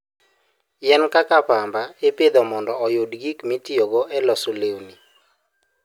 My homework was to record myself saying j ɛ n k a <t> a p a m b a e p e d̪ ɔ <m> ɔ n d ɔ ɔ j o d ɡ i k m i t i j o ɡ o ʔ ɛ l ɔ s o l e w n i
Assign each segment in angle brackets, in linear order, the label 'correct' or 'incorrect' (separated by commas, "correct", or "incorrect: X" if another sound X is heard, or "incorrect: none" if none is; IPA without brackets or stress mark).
incorrect: k, correct